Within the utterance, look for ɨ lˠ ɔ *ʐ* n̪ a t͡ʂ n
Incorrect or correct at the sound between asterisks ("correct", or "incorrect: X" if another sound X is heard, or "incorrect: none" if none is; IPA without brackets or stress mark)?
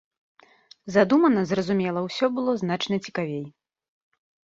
incorrect: z